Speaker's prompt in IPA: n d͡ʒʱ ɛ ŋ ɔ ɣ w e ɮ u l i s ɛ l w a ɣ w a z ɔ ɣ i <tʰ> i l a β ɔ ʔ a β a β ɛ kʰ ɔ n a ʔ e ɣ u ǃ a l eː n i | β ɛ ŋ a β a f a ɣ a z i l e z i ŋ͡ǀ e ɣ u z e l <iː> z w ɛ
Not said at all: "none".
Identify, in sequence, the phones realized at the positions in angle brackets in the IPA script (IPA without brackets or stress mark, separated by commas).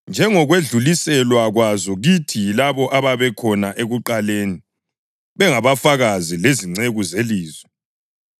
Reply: tʰ, iː